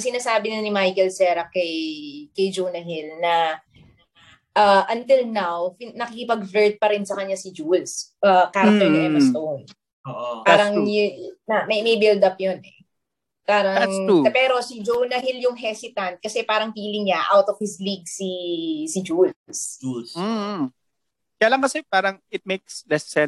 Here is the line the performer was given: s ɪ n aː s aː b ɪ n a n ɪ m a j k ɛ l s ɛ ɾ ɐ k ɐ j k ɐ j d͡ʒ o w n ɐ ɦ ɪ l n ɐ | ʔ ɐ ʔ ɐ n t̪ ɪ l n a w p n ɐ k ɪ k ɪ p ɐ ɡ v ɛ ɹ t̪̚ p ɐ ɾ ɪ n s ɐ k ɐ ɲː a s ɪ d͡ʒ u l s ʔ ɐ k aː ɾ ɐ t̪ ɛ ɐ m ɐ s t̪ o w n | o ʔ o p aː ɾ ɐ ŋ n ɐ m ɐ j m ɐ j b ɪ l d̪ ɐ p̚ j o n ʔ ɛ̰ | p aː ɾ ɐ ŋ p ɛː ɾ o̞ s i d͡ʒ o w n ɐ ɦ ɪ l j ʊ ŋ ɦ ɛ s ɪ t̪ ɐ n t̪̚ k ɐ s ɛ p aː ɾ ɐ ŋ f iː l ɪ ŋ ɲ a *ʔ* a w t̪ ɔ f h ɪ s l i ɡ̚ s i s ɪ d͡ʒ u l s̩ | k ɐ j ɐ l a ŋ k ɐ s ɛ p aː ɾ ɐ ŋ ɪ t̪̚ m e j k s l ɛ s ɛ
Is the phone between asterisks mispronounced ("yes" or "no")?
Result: no